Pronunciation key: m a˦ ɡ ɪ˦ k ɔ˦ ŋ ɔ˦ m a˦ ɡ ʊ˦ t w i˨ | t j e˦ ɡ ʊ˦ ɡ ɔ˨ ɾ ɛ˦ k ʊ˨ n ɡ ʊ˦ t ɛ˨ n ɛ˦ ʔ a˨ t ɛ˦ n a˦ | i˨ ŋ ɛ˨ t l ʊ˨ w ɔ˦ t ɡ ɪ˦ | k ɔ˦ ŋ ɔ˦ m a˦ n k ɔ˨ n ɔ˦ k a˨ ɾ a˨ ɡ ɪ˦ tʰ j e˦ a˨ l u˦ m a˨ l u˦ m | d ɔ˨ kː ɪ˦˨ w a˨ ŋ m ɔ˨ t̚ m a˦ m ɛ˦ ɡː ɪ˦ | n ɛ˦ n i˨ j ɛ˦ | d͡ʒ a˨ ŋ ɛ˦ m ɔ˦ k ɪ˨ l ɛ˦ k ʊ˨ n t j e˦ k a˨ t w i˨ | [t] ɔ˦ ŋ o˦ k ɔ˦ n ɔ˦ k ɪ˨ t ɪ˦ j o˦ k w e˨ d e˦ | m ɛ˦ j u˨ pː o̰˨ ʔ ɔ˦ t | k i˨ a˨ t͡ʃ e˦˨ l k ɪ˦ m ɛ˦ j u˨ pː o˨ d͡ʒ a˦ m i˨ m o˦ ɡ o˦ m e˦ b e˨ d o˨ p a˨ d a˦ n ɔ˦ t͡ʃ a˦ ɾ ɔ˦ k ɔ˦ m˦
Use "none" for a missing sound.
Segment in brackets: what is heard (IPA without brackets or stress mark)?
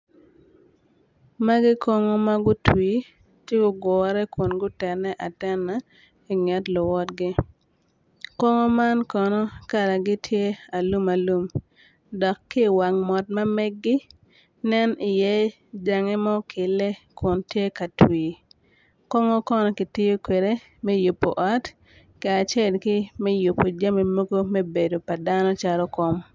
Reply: k